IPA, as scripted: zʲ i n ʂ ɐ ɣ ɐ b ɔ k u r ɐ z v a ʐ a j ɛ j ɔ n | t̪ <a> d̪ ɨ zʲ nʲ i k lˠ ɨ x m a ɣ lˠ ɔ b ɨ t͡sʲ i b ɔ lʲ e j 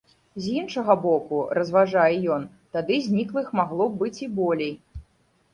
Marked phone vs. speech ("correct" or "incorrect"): correct